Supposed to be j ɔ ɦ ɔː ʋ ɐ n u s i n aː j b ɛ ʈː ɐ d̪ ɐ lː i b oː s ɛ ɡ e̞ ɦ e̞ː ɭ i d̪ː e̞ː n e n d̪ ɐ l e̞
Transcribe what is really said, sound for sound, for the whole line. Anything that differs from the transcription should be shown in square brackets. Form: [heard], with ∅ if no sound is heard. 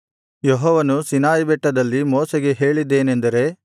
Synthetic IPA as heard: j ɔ ɦ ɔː ʋ ɐ n u s i n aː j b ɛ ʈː ɐ d̪ ɐ lː i [m] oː s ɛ ɡ e̞ ɦ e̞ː ɭ i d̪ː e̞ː n e n d̪ ɐ [ɾ] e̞